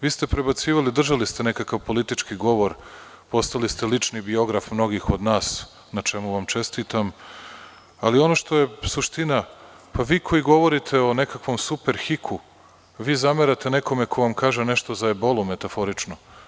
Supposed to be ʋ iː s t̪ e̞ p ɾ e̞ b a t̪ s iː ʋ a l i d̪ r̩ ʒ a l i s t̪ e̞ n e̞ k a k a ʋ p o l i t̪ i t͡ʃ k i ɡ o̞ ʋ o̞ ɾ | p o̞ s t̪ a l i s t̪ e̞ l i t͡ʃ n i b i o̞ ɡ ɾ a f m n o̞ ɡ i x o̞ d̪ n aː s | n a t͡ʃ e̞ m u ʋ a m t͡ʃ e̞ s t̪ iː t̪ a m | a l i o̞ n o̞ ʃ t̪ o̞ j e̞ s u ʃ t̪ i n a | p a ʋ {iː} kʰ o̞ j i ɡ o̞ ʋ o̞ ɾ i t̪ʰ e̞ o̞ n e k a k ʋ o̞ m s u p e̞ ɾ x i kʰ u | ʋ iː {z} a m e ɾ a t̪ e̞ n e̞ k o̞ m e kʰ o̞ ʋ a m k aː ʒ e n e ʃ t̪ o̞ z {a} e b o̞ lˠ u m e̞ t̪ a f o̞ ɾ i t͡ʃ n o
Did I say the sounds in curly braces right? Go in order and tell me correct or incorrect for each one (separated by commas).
correct, correct, correct